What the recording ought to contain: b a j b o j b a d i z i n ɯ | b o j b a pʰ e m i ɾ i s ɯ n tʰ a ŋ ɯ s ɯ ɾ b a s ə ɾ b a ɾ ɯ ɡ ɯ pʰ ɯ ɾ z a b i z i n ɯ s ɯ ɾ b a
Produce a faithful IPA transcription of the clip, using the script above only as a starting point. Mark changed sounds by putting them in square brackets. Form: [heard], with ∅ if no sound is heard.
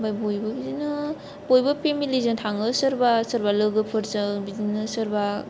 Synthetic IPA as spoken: b a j b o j b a [b] i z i n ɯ | b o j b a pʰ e m i [l] i [z] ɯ n tʰ a ŋ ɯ s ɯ ɾ b a s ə ɾ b a [l] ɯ ɡ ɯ pʰ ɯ ɾ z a b i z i n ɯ s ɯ ɾ b a